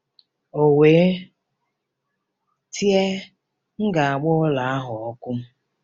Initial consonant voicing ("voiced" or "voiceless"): voiced